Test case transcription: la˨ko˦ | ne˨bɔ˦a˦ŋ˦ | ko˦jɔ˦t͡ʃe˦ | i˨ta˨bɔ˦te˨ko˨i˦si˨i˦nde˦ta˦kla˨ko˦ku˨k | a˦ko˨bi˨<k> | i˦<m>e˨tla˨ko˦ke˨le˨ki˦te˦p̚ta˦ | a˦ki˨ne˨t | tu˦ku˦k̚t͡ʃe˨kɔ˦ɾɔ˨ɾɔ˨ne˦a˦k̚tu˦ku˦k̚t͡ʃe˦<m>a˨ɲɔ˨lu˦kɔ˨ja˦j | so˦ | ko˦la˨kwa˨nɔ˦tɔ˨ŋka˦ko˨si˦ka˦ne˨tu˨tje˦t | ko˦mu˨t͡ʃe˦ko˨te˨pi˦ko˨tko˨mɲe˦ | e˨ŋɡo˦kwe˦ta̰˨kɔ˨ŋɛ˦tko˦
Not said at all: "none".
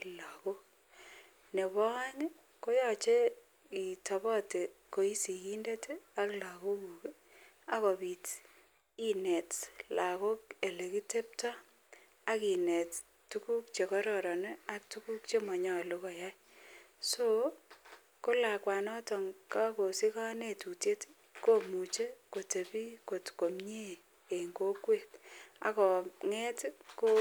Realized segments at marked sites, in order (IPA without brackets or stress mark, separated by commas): t, n, m